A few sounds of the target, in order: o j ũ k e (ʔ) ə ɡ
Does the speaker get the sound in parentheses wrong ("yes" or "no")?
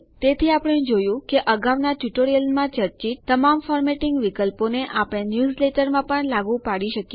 no